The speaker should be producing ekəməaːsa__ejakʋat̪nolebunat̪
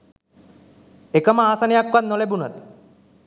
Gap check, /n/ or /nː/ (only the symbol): n